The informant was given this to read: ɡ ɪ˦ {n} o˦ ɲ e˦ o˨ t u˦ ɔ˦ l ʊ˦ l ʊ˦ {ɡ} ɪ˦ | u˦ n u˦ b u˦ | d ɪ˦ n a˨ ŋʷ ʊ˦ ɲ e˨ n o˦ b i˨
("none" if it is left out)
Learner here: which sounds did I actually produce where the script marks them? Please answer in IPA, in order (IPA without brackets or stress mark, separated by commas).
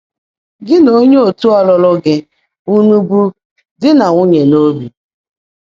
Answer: n, ɡ